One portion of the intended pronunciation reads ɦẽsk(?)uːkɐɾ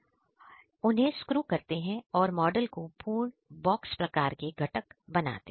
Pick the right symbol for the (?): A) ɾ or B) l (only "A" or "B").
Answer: A